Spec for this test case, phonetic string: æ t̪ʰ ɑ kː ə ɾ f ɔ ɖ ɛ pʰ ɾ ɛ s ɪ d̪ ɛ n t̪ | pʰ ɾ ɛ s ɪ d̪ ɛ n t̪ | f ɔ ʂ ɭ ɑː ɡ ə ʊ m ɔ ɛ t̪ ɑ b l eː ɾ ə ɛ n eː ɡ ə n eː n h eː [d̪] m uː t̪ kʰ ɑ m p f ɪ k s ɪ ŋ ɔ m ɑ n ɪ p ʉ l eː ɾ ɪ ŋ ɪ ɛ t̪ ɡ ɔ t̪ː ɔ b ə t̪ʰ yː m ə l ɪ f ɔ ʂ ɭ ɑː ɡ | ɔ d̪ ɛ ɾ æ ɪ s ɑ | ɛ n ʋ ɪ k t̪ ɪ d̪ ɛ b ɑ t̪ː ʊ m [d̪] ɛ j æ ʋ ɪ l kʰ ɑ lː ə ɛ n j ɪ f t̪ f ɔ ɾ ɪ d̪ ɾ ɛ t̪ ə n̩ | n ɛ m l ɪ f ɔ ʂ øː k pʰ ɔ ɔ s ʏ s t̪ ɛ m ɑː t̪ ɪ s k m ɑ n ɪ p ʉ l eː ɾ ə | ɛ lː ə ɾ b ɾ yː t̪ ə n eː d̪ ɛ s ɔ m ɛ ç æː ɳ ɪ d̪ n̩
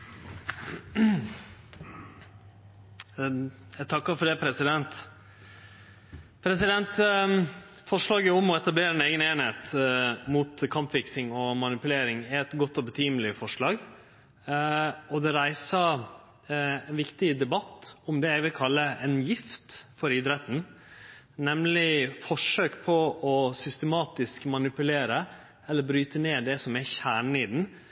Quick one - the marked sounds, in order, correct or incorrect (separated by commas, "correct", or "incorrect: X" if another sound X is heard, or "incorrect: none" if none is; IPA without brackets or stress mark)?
incorrect: t̪, correct